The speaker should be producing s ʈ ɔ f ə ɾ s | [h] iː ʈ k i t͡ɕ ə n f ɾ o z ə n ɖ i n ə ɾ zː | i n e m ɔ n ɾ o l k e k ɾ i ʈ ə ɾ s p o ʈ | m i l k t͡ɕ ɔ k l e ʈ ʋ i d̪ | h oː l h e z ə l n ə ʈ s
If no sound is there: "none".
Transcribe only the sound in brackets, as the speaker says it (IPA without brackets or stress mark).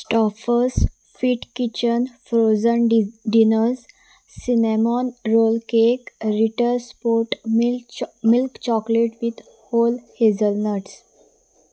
f